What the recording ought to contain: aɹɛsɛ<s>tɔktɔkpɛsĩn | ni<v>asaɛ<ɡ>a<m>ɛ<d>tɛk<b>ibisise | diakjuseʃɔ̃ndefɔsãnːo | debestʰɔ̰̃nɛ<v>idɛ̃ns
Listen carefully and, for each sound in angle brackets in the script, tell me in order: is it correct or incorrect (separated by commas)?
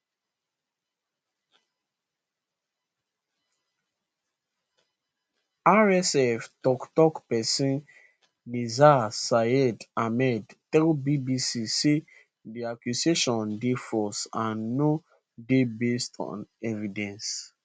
incorrect, incorrect, incorrect, correct, correct, correct, correct